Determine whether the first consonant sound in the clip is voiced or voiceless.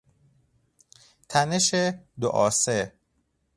voiceless